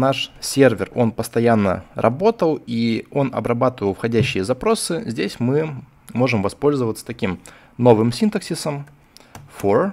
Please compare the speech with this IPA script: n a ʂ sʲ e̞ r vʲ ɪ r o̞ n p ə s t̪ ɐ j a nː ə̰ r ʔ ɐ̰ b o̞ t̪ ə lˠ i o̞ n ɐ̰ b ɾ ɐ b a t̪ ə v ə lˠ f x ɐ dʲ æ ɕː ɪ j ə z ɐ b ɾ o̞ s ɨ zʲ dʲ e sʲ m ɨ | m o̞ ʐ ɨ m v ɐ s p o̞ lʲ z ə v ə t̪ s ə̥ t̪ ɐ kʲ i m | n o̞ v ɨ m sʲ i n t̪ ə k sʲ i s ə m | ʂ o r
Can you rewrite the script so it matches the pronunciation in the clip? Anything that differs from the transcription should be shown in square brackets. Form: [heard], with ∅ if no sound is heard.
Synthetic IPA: n a ʂ sʲ e̞ r vʲ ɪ r o̞ n p ə s t̪ ɐ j a nː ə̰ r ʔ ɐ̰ b o̞ t̪ ə lˠ i o̞ n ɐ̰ b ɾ ɐ b a t̪ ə v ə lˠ f x ɐ dʲ æ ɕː ɪ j ə z ɐ [p] ɾ o̞ s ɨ zʲ dʲ e sʲ m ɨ | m o̞ ʐ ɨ m v ɐ s p o̞ lʲ z ə v ə t̪ s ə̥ t̪ ɐ kʲ i m | n o̞ v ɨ m sʲ i n t̪ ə k sʲ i s ə m | [f] o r